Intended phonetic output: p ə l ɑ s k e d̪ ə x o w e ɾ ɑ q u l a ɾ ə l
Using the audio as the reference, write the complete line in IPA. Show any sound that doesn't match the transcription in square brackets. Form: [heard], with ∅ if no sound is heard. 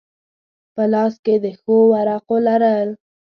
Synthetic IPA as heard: p ə l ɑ s k e d̪ ə x o w [a] ɾ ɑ q [o] l a ɾ ə l